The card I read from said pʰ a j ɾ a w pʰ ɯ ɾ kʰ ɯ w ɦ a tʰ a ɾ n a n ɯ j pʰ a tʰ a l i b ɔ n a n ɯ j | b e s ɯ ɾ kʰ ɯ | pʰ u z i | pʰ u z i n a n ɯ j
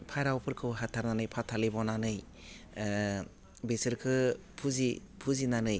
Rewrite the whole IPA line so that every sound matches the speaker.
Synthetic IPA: pʰ a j ɾ a w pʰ ɯ ɾ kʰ ɯ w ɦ a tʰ a ɾ n a n ɯ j pʰ a tʰ a l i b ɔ n a n ɯ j | b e s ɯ ɾ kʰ ɯ | pʰ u z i | pʰ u z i n a n ɯ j